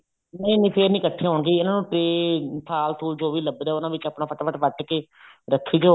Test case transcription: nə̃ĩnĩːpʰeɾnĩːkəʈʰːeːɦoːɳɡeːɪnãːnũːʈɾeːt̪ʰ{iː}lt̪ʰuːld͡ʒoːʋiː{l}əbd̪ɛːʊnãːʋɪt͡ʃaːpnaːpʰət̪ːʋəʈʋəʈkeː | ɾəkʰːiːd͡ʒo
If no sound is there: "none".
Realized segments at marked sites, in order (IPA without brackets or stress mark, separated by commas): aː, l